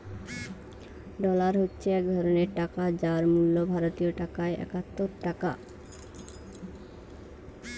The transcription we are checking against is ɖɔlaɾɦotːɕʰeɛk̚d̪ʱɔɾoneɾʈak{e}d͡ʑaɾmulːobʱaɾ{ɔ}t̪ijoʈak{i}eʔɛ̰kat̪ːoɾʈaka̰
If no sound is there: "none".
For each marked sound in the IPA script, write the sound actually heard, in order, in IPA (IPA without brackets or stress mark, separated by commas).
a, o, a